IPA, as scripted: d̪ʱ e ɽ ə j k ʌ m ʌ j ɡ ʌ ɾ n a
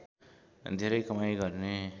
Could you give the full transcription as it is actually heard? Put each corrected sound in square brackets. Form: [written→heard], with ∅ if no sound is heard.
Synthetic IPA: d̪ʱ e [ɽ→ɾ] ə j k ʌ m [ʌ→a] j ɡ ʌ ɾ n [a→e]

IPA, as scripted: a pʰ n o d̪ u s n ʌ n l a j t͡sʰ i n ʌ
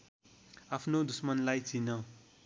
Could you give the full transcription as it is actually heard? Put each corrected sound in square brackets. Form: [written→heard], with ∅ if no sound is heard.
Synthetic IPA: a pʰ n o d̪ u s [n→m] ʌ n l a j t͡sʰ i n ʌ

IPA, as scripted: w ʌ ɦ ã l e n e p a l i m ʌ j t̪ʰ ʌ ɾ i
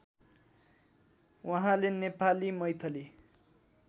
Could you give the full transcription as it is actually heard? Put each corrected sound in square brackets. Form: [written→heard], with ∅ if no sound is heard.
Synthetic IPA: w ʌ ɦ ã l e n e p a l i m ʌ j t̪ʰ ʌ [ɾ→l] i

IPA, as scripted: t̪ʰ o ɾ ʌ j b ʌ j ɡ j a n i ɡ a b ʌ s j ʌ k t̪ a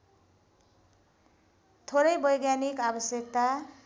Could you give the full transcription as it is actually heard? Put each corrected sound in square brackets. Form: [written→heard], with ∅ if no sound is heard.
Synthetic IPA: t̪ʰ o ɾ ʌ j b ʌ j ɡ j a n i [ɡ→k] a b ʌ s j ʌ k t̪ a

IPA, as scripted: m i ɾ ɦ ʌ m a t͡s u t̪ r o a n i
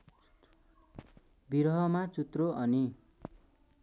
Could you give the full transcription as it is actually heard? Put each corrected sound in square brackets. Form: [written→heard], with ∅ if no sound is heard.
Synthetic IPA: [m→b] i ɾ ɦ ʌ m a t͡s u t̪ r o [a→ʌ] n i

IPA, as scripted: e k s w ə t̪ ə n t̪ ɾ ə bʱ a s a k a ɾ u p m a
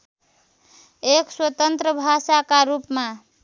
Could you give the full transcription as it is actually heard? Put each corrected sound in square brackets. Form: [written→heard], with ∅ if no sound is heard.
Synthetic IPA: e k s w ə t̪ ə n t̪ ɾ ə bʱ a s a k a ɾ u p m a

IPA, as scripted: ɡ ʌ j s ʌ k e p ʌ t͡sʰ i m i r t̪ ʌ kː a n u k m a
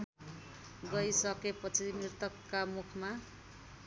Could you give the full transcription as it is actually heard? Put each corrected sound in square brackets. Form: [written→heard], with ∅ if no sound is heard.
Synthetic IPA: ɡ ʌ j s ʌ k e p ʌ t͡sʰ i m i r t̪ ʌ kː a [n→m] u [k→kʰ] m a

